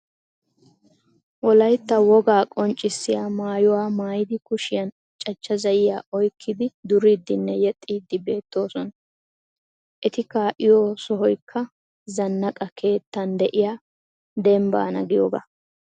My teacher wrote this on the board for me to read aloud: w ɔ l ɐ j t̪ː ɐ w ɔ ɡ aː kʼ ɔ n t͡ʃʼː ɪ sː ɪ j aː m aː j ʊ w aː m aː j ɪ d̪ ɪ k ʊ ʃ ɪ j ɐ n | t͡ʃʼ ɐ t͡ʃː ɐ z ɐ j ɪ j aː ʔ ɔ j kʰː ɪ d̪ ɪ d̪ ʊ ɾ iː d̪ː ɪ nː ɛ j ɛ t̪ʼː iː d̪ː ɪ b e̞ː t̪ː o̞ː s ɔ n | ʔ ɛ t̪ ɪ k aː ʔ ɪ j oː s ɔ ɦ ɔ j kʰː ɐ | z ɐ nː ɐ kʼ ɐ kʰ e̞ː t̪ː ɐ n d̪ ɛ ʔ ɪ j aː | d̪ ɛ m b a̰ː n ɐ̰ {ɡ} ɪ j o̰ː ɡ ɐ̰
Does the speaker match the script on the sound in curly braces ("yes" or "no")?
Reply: yes